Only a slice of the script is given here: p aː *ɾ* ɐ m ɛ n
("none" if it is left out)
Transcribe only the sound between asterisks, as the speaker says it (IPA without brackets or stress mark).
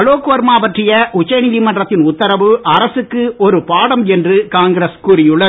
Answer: ɽ